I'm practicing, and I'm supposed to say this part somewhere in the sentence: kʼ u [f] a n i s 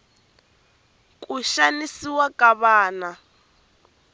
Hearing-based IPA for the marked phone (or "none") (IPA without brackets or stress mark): ʃ